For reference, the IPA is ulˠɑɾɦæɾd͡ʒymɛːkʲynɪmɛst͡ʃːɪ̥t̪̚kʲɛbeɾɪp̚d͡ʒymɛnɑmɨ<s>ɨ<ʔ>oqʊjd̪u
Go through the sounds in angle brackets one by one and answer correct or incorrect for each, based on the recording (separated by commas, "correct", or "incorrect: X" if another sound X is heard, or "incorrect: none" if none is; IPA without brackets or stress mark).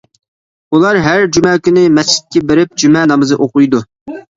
incorrect: z, correct